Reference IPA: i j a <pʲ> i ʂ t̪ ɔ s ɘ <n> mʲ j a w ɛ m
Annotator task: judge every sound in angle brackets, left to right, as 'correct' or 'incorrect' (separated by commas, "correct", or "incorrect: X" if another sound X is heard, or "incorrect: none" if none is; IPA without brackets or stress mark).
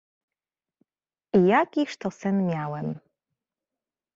incorrect: kʲ, correct